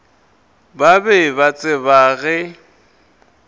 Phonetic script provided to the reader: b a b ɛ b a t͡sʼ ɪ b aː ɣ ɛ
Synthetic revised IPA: b a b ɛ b a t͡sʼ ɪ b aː ɣ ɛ